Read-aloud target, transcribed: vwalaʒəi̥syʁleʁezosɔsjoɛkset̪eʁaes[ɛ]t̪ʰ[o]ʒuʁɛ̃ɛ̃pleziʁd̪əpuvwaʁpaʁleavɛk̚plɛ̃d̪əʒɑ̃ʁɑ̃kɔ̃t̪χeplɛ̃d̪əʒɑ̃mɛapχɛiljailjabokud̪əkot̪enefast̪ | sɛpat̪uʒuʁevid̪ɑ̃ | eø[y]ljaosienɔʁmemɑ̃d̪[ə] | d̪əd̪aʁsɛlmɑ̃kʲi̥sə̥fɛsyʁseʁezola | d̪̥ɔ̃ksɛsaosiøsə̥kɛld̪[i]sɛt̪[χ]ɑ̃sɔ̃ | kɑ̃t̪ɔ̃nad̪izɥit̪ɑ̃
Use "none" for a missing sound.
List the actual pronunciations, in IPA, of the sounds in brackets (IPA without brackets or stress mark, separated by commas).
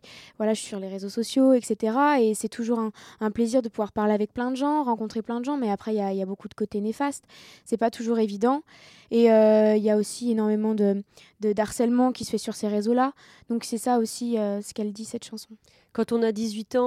ɛ, u, i, ə, i, ʃ